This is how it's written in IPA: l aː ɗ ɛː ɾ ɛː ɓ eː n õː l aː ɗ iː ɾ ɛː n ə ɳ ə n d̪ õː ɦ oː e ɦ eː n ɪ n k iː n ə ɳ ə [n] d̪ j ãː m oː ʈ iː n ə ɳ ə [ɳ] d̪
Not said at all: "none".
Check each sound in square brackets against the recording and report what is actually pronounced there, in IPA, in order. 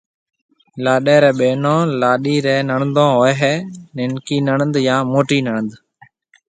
n, n

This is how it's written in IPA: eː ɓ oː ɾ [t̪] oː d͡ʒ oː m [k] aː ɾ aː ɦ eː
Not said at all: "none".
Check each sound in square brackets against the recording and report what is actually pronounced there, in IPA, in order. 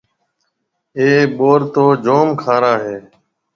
t̪, kʰ

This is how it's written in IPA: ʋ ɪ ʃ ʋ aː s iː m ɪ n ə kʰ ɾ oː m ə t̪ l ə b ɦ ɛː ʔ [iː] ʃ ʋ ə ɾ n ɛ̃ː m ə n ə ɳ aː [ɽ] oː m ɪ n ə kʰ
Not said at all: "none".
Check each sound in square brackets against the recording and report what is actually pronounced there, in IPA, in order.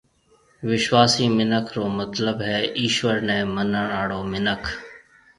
iː, ɽ

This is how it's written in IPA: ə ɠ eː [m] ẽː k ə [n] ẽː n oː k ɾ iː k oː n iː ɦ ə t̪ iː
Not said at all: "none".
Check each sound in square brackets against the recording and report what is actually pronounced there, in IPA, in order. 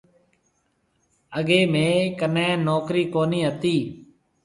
m, n

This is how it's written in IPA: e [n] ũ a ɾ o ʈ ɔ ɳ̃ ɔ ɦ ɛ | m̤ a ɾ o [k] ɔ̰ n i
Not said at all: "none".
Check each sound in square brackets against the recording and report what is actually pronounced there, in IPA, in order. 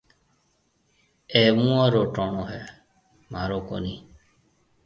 m, k

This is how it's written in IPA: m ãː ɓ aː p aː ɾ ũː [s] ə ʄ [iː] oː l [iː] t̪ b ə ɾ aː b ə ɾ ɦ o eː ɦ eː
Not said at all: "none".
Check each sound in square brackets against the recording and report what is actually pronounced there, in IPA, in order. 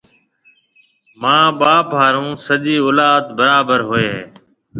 s, iː, aː

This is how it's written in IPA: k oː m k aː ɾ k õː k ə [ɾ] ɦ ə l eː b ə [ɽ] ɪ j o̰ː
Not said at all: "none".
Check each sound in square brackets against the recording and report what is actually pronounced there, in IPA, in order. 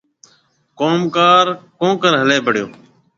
ɾ, ɽ

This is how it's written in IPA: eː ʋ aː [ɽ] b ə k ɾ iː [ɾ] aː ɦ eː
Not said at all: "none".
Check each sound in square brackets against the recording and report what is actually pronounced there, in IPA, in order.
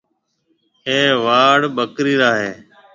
ɽ, ɾ

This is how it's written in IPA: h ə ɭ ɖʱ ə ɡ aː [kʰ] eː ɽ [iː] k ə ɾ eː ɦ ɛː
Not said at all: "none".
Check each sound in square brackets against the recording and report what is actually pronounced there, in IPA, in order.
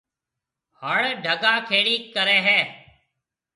kʰ, iː

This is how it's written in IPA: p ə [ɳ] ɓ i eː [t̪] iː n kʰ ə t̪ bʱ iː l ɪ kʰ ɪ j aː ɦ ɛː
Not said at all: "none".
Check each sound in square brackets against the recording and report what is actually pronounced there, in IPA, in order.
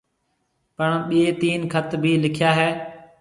ɳ, t̪

